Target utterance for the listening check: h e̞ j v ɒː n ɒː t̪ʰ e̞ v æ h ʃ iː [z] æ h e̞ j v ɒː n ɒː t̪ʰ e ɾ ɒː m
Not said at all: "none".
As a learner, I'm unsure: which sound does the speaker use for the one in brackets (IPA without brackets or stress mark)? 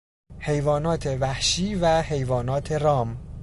v